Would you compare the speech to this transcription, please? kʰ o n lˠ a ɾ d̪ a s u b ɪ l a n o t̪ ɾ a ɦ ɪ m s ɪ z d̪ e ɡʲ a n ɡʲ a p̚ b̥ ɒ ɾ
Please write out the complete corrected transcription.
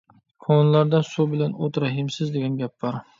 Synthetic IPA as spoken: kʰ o n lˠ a ɾ d̪ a s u b ɪ l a n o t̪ ɾ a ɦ ɪ m s ɪ z d̪ e ɡʲ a n ɡʲ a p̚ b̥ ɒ ɾ